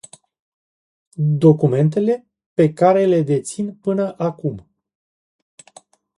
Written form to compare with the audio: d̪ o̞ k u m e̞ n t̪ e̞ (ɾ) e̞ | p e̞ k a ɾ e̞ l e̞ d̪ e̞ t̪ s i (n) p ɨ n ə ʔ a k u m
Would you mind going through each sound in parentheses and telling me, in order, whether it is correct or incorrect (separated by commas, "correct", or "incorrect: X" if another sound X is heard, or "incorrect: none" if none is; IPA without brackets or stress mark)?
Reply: incorrect: l, correct